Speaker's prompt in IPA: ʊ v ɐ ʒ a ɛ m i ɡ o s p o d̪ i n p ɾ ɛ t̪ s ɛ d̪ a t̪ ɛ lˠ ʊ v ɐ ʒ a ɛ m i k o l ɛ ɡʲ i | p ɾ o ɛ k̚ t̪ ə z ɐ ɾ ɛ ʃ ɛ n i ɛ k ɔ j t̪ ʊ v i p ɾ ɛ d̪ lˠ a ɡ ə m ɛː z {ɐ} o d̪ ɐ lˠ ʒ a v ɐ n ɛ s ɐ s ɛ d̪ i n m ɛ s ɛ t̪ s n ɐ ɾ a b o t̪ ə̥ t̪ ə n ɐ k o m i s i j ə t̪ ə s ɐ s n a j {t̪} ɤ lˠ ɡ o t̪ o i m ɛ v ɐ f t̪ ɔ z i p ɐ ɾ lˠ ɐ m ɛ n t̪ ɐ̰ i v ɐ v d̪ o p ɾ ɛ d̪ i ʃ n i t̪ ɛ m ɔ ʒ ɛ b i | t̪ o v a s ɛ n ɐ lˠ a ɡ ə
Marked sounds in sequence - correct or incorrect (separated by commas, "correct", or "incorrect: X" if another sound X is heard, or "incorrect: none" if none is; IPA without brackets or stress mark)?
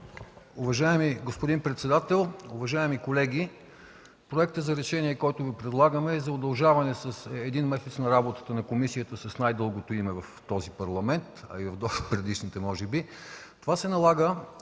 correct, incorrect: d̪